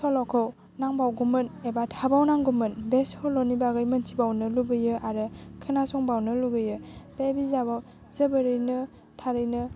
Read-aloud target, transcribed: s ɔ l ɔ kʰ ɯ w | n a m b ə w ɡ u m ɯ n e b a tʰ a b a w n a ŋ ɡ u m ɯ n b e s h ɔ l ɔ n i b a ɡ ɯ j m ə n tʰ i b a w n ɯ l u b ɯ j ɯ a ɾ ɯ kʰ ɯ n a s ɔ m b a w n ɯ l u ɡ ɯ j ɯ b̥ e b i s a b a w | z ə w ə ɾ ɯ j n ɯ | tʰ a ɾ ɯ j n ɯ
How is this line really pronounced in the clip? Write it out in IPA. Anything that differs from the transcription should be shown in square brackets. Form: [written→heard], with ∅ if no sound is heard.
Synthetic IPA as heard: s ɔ l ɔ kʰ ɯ w | n a [m→ŋ] b [ə→a] w ɡ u m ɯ n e b a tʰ a b a w n a ŋ ɡ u m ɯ n b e s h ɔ l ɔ n i b a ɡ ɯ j m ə n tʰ i b a w n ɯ l u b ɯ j ɯ a ɾ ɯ kʰ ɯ n a s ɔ [m→ŋ] b a w n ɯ l u ɡ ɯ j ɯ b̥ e b i [s→z] a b a w | z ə [w→b] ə ɾ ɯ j n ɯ | tʰ a ɾ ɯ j n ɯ